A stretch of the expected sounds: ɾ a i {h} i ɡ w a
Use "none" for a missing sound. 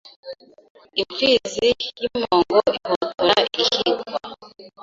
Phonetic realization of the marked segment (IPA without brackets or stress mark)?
h